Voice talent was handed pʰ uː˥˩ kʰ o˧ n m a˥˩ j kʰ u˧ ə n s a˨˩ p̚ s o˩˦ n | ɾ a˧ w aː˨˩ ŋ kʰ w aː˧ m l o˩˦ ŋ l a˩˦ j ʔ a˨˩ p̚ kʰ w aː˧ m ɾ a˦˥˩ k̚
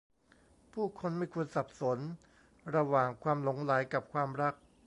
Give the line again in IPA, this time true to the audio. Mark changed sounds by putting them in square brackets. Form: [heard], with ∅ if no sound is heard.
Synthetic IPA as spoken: pʰ uː˥˩ kʰ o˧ n m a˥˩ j kʰ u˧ ə n s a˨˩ p̚ s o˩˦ n | ɾ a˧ w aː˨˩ ŋ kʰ w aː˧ m l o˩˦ ŋ l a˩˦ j [k] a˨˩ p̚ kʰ w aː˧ m ɾ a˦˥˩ k̚